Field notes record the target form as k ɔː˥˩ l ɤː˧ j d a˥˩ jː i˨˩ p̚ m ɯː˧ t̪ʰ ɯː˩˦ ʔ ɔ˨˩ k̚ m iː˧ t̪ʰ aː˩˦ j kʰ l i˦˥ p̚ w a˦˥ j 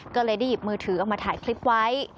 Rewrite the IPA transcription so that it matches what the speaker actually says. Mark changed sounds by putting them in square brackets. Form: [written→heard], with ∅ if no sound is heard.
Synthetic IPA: k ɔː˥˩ l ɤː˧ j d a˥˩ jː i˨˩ p̚ m ɯː˧ t̪ʰ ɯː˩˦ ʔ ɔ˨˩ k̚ m [iː˧→aː˧] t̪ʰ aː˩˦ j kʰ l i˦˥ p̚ w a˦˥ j